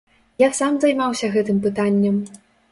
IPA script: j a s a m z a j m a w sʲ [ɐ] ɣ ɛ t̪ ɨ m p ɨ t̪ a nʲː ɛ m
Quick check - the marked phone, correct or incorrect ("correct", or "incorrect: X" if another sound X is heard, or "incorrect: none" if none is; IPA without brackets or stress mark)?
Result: correct